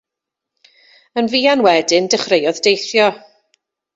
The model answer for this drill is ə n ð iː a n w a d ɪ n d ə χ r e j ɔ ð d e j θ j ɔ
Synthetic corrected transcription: ə n v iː a n w ɛ d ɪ n d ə χ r e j ɔ ð d e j θ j ɔ